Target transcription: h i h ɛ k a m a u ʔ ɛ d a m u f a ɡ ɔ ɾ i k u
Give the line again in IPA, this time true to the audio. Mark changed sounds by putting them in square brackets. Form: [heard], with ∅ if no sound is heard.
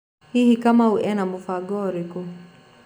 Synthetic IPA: h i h [i] k a m a u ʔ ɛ [n] a m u f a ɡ ɔ ɾ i k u